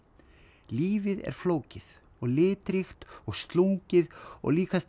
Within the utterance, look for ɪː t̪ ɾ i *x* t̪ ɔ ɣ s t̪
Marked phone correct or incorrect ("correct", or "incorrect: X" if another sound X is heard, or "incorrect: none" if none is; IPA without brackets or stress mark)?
correct